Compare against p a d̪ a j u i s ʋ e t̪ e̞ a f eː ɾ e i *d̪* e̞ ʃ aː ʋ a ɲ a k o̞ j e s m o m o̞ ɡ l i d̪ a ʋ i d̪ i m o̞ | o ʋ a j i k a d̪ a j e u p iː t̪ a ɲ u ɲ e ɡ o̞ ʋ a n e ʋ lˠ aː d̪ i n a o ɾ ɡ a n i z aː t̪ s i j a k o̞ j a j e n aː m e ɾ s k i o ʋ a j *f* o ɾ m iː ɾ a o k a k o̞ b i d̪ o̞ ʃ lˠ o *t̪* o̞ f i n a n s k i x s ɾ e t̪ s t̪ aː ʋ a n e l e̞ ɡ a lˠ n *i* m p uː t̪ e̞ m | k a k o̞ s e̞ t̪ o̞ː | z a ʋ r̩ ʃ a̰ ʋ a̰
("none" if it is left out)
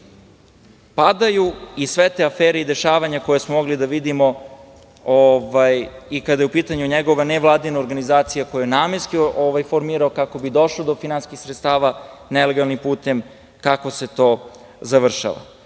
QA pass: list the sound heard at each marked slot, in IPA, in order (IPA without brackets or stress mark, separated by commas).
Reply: d̪, f, d̪, i